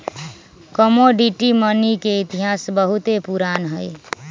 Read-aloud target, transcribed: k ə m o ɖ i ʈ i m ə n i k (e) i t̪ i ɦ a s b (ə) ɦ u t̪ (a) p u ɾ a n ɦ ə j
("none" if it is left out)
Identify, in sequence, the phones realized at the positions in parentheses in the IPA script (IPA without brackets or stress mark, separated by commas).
e, ə, e